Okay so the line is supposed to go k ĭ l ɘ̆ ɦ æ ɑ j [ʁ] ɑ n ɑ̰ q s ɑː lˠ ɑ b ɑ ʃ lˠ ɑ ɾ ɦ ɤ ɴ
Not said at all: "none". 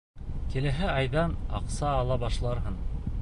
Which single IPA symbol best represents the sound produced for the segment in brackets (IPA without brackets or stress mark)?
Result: ð